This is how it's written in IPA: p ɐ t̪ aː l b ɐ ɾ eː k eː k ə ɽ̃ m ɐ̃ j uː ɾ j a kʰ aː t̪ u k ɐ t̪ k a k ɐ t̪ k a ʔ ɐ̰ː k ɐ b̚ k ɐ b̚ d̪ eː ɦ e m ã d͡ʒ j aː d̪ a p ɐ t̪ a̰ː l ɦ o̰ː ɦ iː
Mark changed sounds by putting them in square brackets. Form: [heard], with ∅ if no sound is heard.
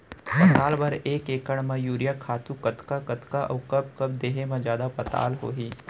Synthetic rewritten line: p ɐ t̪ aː l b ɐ ɾ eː k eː k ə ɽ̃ m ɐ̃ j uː ɾ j a kʰ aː t̪ u k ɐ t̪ k a k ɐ t̪ k a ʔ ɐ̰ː k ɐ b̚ k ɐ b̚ d̪ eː ɦ e m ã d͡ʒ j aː d̪ a p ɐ t̪ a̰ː l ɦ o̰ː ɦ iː